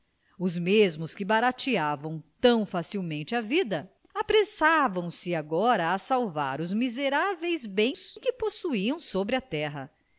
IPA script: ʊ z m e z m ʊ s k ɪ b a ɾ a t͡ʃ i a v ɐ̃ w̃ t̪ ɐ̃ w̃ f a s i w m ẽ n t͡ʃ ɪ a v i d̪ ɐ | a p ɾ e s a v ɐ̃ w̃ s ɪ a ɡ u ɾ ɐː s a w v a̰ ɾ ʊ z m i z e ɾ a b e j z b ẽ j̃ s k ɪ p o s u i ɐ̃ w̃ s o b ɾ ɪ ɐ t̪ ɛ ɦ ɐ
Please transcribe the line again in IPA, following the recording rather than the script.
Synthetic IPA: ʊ z m e z m ʊ s k ɪ b a ɾ a t͡ʃ i a v ɐ̃ w̃ t̪ ɐ̃ w̃ f a s i w m ẽ n t͡ʃ ɪ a v i d̪ ɐ | a p ɾ e s a v ɐ̃ w̃ s ɪ a ɡ ɔ ɾ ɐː s a w v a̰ ɾ ʊ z m i z e ɾ a v e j z b ẽ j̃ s k ɪ p o s u i ɐ̃ w̃ s o b ɾ ɪ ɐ t̪ ɛ ɦ ɐ